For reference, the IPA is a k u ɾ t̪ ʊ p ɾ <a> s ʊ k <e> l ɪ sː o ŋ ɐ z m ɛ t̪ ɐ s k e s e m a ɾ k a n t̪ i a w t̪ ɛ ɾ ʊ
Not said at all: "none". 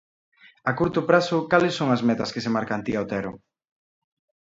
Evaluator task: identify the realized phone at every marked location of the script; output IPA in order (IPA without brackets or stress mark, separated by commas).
a, a